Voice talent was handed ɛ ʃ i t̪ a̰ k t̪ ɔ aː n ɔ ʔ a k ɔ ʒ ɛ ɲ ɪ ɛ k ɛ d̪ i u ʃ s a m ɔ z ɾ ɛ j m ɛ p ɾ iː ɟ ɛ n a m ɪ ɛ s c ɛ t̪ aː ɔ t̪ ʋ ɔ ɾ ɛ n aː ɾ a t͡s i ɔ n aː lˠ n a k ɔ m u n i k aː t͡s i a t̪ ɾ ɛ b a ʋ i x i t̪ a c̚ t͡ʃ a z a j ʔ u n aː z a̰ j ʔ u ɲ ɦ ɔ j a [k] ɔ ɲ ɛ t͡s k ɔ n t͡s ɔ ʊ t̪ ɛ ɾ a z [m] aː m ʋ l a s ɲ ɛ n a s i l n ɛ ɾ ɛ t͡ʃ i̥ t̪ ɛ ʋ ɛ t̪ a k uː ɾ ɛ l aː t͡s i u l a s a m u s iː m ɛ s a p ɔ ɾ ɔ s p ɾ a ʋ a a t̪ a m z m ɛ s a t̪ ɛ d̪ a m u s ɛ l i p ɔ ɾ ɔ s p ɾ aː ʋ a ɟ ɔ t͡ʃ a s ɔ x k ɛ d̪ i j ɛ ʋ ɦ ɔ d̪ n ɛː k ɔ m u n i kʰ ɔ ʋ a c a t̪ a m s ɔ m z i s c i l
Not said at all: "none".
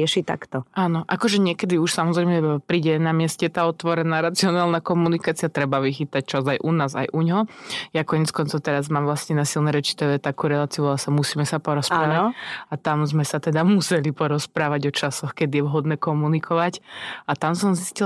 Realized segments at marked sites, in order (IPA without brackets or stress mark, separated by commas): k, m